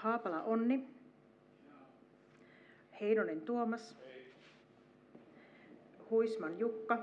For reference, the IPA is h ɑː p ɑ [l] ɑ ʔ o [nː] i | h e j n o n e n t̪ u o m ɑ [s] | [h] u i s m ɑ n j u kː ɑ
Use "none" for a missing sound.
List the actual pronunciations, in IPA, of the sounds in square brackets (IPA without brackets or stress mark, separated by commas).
l, nː, s, h